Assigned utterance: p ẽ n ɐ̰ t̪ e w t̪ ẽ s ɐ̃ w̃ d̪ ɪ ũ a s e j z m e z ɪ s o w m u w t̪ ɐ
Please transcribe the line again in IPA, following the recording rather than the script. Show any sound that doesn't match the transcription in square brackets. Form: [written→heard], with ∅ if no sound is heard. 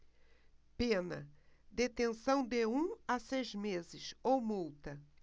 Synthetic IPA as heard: p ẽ n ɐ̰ [t̪→d̪] e [w→∅] t̪ ẽ s ɐ̃ w̃ d̪ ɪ ũ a s e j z m e z ɪ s o w m u w t̪ ɐ